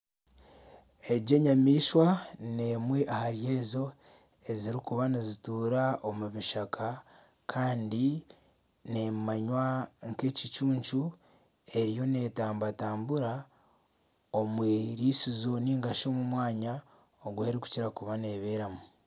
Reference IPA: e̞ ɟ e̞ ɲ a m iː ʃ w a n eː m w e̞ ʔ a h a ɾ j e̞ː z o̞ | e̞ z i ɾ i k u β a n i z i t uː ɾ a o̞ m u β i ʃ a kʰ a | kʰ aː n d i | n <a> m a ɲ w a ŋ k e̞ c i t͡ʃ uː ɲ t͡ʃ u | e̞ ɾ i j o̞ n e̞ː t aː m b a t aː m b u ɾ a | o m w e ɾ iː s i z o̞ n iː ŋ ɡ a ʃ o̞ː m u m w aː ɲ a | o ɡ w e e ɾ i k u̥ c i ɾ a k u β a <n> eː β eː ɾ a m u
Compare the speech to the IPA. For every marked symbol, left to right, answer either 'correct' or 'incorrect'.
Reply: incorrect, correct

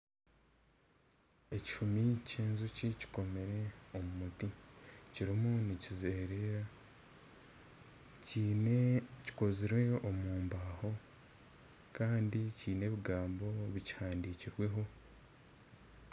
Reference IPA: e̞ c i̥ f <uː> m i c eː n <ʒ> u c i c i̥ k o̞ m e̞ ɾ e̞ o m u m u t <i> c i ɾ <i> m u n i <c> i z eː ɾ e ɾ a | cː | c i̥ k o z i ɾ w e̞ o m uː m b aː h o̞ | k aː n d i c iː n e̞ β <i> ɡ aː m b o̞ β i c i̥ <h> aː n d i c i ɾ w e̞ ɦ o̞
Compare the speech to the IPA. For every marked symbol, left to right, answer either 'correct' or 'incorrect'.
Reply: incorrect, incorrect, correct, correct, correct, correct, correct

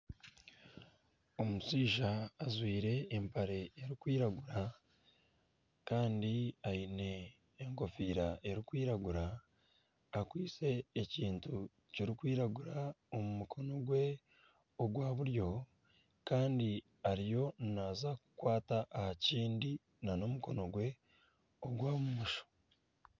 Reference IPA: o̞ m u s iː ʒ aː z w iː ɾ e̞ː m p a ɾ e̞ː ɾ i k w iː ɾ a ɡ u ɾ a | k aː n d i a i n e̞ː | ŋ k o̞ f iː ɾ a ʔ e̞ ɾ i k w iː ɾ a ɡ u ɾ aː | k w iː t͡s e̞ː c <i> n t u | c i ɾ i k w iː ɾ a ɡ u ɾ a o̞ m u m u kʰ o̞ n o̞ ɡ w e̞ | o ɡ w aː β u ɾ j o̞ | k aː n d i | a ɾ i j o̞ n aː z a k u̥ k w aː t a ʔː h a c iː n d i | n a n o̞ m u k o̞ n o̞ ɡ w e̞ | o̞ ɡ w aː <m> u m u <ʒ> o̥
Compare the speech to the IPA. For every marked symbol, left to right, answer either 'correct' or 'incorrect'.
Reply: incorrect, correct, incorrect

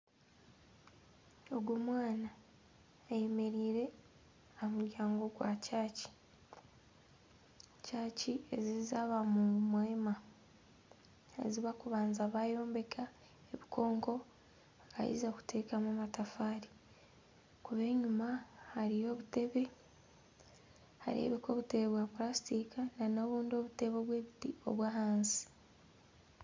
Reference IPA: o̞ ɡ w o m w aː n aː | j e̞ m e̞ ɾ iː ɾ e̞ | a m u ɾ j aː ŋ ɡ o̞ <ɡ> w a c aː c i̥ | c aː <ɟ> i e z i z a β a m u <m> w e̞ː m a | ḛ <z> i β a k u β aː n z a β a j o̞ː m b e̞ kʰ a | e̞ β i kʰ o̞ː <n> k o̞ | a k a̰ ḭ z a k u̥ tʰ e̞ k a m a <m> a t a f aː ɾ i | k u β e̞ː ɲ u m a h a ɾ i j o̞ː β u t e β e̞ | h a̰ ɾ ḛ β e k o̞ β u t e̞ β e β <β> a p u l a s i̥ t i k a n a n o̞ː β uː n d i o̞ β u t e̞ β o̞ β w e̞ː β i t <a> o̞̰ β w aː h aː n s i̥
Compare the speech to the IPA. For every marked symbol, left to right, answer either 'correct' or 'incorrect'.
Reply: correct, incorrect, correct, correct, incorrect, correct, incorrect, incorrect

